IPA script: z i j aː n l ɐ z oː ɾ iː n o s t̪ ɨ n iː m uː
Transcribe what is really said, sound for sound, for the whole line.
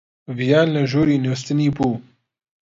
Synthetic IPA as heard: v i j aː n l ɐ ʒ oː ɾ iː n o s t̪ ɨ n iː b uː